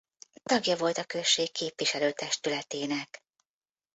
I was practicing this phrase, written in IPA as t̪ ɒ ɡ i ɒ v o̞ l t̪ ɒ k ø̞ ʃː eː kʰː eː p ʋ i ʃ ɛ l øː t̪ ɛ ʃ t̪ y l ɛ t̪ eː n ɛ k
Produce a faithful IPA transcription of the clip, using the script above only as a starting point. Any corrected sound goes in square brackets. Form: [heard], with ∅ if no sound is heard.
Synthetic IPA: t̪ ɒ ɡ [j] ɒ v o̞ l t̪ ɒ k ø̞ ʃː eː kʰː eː p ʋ i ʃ ɛ l øː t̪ ɛ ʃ t̪ y l ɛ t̪ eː n ɛ k